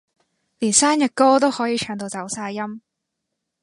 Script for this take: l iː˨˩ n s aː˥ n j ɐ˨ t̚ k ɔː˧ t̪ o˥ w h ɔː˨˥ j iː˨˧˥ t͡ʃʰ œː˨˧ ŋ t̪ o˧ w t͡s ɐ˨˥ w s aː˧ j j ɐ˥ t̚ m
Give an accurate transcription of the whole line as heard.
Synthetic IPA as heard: l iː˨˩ n s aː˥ n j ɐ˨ t̚ k ɔː˥ t̪ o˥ w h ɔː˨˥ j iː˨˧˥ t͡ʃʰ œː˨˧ ŋ t̪ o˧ w t͡s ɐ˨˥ w s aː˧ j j ɐ˥ m